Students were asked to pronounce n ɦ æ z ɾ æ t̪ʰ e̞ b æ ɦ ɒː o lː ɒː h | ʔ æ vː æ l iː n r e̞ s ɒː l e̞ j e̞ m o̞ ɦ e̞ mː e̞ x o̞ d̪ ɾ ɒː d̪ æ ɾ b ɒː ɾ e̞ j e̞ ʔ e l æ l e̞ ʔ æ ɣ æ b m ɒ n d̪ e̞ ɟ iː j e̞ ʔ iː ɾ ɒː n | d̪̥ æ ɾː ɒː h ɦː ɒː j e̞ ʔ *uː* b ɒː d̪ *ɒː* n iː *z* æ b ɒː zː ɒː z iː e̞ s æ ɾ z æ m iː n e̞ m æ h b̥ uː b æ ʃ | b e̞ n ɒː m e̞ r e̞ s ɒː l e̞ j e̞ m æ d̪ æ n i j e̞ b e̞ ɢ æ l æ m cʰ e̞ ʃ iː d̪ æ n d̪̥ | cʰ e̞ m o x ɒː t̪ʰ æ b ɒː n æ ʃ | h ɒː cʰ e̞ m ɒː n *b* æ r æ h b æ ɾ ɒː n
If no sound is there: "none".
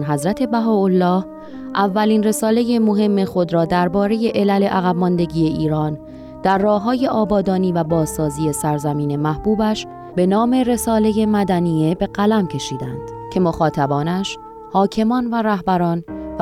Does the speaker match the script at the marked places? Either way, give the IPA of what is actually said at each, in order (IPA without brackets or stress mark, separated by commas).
ɒː, ɒː, v, v